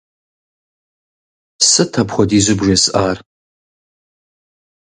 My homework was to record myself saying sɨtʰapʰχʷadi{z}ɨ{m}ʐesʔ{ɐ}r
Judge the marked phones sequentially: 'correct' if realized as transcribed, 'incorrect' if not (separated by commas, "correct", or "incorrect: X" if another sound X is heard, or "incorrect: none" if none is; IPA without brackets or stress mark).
correct, incorrect: b, incorrect: a